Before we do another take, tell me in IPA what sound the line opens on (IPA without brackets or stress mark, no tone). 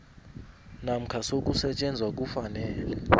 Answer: n